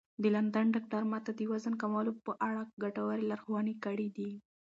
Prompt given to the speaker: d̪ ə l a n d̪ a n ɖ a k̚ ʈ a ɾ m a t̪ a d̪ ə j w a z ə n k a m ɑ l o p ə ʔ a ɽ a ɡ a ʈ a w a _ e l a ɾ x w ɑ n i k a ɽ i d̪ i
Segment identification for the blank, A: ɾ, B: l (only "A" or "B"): A